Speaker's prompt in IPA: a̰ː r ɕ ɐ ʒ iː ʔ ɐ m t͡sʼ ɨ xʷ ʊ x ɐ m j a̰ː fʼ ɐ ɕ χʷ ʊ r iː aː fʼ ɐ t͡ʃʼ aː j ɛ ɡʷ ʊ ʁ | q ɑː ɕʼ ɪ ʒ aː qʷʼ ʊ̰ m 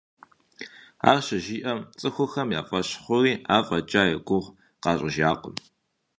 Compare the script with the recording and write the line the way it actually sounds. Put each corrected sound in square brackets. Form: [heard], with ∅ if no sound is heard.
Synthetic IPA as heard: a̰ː r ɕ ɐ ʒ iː ʔ ɐ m t͡sʼ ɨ xʷ ʊ x ɐ m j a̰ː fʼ ɐ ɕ χʷ ʊ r iː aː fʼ ɐ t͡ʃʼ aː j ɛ ɡʷ ʊ ʁ | q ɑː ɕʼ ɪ ʒ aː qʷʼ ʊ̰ m